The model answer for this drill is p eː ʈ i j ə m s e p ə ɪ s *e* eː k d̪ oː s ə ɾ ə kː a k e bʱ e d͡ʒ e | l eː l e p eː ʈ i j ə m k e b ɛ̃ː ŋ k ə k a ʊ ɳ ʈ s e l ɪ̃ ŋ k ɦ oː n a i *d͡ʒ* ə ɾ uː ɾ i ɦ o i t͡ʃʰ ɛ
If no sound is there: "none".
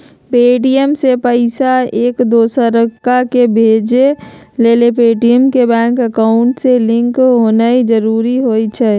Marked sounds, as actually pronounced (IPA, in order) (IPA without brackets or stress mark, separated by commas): a, d͡ʒ